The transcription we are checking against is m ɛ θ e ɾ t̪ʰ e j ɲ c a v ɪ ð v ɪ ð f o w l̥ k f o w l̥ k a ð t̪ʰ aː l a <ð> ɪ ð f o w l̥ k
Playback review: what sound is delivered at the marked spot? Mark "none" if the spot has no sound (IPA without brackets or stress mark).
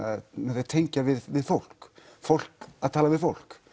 v